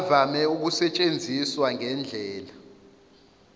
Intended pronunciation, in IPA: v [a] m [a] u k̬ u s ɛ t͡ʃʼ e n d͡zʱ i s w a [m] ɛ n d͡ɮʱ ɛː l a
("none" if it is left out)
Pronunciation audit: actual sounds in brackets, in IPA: a, ɛ, ŋ

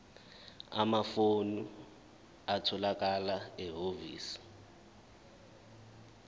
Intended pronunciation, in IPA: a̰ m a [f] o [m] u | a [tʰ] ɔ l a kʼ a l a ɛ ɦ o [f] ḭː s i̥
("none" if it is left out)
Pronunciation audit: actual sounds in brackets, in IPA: f, n, tʰ, v

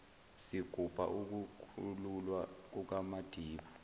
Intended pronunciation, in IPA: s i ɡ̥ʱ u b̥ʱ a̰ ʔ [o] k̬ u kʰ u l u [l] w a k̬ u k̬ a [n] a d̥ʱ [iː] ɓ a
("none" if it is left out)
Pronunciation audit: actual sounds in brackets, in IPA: u, l, m, iː

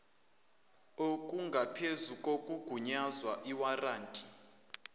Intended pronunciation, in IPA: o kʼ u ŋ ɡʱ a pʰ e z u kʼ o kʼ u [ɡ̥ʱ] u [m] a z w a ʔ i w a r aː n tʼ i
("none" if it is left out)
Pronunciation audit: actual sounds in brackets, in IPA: ɡ̥ʱ, ɲ

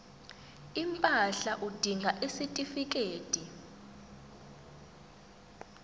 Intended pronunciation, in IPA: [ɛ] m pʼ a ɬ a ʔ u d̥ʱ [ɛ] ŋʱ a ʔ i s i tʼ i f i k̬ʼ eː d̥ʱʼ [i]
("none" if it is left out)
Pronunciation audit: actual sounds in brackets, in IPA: i, i, i

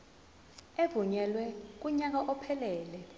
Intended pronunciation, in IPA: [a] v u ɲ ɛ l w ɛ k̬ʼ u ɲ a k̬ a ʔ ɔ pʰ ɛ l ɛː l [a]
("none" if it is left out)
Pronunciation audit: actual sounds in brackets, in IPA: e, ɛ

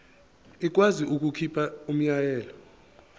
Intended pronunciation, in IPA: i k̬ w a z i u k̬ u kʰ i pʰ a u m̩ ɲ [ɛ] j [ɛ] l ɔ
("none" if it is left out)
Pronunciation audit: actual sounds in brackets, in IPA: a, ɛː

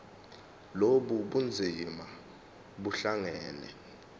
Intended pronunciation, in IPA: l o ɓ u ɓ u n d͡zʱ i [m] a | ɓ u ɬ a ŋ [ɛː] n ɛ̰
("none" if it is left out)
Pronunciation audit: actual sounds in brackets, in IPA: m, ɛː

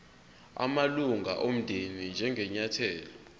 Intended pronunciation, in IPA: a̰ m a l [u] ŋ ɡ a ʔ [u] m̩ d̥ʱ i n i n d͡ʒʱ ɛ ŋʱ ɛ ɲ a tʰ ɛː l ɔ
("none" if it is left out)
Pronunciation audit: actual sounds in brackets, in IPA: u, o

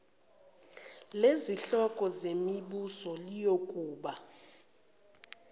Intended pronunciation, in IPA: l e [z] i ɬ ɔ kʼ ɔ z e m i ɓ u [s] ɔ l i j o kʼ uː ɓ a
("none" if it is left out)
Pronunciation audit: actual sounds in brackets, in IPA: z, s

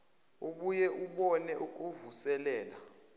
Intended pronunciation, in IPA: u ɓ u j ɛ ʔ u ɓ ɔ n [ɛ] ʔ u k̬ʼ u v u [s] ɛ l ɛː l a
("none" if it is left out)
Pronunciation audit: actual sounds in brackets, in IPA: ɛ, s

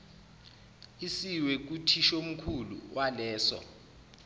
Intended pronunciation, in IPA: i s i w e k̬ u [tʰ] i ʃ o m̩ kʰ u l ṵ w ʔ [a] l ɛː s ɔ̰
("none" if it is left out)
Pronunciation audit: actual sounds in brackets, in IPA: tʰ, a

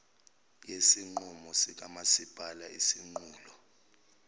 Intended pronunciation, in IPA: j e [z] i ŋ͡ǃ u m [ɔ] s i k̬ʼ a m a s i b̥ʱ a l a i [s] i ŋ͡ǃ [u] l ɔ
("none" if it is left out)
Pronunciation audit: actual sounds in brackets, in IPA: s, ɔ, s, uː

